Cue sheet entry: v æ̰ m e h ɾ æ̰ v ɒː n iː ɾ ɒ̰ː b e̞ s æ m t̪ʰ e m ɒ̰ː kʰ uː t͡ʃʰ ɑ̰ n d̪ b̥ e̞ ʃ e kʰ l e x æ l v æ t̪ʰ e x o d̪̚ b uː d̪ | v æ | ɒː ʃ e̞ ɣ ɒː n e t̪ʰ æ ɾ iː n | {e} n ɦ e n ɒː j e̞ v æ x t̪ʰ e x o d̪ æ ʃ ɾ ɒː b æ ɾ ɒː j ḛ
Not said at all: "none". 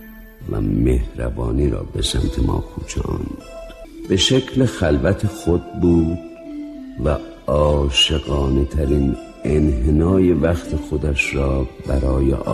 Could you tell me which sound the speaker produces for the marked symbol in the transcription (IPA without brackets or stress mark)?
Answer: e